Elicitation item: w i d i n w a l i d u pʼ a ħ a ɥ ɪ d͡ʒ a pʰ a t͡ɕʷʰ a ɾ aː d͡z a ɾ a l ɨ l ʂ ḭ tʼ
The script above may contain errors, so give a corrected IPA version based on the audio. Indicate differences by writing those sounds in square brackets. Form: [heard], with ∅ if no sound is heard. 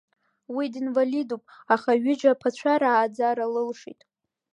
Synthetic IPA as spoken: w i d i n [v] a l i d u pʼ a [χ] a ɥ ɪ d͡ʒ a pʰ a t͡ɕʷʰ a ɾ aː d͡z a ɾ a l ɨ l ʂ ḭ tʼ